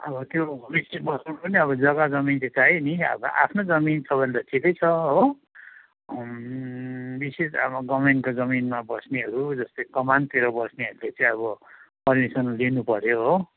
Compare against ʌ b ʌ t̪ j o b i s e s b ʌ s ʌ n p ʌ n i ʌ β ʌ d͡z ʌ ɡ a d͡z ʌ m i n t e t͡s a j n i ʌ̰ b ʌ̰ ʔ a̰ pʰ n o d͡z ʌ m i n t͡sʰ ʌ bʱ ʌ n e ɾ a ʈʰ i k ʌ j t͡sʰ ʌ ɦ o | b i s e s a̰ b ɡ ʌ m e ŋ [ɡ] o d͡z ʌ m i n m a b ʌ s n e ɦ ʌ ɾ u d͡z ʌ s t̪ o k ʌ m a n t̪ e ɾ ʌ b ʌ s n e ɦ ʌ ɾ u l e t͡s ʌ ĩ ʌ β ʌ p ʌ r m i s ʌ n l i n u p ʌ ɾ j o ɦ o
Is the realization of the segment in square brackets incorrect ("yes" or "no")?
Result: yes